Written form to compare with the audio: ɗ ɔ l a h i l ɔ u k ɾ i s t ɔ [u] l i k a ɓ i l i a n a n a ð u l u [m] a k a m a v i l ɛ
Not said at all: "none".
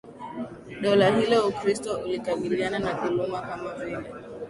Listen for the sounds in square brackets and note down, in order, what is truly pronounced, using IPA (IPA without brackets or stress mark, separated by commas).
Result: u, m